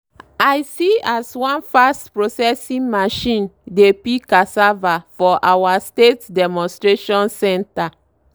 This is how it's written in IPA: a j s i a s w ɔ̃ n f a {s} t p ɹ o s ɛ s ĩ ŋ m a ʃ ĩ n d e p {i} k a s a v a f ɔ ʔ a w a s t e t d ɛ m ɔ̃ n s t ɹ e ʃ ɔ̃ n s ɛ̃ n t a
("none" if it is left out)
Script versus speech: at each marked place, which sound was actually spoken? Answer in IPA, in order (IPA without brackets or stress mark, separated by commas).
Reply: s, i